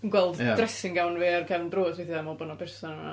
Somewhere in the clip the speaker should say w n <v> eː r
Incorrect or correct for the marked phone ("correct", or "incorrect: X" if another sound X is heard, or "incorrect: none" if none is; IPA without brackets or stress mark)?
correct